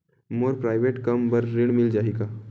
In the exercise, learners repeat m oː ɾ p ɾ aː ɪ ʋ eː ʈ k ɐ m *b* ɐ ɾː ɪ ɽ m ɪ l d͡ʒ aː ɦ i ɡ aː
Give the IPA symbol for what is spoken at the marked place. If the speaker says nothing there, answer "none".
b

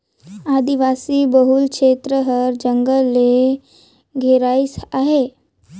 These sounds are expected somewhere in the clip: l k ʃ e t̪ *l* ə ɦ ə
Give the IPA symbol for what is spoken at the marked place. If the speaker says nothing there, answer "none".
ɾ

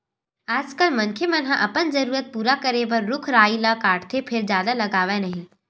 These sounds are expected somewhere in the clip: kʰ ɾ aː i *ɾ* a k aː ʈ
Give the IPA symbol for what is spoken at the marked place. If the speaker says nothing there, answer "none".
l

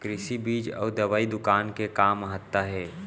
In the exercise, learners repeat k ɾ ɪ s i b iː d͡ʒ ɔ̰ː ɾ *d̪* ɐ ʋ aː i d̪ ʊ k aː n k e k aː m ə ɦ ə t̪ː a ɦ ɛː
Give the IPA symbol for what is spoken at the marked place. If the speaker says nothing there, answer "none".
d̪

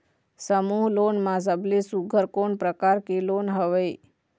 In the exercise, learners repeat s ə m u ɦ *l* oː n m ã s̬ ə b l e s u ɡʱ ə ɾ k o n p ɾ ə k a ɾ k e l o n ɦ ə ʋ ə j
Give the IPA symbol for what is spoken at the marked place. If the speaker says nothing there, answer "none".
l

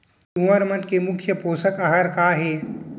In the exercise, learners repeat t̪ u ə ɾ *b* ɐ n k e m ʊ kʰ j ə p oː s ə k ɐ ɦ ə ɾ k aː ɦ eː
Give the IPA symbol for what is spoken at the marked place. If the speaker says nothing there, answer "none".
m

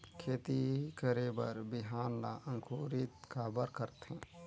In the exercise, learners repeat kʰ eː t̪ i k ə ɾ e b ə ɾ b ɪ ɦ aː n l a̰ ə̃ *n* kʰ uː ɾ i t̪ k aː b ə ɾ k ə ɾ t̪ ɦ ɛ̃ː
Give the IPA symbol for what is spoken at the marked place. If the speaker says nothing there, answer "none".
ŋ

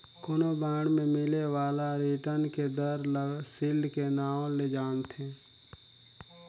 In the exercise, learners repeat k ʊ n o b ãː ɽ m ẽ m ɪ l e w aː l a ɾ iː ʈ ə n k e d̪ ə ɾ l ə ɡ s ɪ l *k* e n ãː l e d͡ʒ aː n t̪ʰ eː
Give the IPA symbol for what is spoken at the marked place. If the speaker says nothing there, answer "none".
k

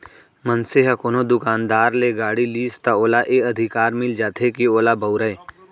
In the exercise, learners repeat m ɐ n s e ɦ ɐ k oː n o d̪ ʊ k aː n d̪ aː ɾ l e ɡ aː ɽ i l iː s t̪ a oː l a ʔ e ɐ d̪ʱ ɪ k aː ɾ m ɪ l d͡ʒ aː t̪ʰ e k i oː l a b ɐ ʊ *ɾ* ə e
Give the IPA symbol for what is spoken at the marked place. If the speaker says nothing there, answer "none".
ɾ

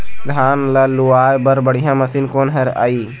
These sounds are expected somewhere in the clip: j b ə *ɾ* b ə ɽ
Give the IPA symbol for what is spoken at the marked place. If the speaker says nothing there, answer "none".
ɾ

